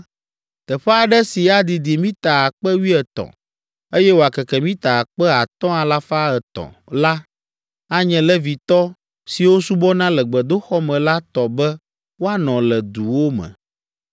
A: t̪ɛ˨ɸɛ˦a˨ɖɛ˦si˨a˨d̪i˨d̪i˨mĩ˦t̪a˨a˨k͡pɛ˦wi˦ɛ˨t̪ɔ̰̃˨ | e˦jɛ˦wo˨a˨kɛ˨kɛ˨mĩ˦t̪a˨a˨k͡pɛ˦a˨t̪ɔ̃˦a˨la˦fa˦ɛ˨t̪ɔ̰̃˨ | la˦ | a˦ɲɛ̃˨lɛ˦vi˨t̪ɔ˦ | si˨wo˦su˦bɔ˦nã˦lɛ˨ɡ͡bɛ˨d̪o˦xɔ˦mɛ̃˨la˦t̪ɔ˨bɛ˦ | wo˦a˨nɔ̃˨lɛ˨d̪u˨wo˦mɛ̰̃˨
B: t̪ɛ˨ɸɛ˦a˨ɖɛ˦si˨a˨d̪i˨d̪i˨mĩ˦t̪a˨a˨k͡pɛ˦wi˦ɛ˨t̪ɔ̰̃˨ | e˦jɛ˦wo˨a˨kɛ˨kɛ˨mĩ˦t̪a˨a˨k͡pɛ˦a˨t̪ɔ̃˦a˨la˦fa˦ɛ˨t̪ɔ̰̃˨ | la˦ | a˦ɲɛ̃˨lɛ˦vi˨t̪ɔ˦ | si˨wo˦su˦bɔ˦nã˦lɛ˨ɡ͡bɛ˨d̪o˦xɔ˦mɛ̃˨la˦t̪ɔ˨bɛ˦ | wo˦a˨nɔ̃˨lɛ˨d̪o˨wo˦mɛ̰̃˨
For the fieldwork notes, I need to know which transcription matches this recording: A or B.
A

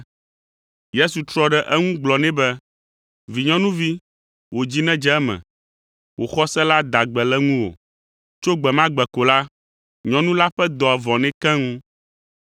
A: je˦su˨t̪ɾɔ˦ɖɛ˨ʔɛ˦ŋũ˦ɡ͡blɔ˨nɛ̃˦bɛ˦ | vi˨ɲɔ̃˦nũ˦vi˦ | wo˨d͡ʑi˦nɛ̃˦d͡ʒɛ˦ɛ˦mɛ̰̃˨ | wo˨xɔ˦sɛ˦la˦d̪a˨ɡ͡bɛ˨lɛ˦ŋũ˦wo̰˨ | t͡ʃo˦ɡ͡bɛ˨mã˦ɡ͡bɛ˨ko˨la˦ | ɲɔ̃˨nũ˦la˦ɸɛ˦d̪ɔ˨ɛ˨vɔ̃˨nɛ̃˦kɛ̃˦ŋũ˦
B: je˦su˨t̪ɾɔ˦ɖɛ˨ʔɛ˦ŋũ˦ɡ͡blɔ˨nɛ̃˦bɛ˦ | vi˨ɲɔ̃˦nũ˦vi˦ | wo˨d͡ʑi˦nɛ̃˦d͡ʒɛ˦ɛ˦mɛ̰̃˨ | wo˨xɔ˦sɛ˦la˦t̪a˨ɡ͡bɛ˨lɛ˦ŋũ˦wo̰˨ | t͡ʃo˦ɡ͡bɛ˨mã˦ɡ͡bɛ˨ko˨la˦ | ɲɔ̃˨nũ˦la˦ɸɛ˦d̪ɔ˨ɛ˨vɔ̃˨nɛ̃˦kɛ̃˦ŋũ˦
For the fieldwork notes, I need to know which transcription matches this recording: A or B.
A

